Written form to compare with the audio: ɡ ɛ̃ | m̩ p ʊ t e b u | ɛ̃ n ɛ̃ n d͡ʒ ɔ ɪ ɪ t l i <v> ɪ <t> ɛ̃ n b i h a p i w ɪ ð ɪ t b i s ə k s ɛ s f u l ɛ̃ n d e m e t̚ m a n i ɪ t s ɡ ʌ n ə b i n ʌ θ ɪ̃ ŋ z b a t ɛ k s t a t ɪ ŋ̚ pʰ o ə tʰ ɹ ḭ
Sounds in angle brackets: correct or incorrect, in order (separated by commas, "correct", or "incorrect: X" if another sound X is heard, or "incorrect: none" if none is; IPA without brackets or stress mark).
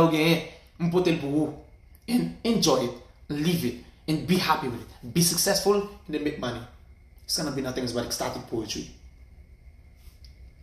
correct, correct